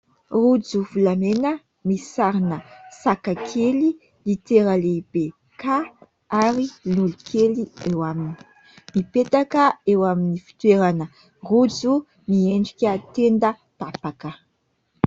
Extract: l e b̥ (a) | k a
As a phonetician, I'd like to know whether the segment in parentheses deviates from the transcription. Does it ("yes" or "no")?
yes